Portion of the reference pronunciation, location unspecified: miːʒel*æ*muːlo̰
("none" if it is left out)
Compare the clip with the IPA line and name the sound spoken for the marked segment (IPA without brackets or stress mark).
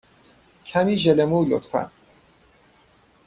e